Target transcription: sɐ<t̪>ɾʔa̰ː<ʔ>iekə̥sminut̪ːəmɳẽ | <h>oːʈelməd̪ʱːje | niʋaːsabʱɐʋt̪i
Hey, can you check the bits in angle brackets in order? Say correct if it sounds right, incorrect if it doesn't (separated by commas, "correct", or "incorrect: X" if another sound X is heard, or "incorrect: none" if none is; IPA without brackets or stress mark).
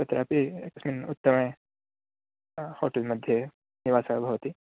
correct, incorrect: p, correct